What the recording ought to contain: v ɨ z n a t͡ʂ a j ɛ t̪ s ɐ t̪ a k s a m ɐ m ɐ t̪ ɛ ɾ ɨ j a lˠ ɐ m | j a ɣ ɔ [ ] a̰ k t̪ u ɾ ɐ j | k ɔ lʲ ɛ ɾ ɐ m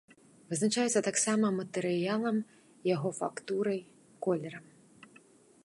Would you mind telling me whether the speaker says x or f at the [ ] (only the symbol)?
f